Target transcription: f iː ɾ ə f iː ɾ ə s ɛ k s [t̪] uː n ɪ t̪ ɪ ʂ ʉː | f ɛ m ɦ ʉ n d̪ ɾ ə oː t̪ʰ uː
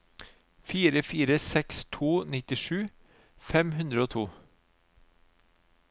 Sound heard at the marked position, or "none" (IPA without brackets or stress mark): t̪ʰ